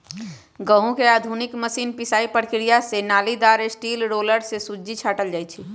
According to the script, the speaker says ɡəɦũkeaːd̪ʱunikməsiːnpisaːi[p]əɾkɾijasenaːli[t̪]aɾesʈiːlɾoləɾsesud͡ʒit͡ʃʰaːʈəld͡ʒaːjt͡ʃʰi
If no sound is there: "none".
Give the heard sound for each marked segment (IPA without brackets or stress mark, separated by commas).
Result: p, d̪